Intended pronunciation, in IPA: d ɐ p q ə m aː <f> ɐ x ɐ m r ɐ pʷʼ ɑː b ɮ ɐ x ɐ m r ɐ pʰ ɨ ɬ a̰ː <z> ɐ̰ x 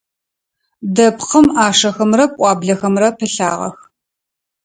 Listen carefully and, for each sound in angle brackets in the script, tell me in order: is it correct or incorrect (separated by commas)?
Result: incorrect, incorrect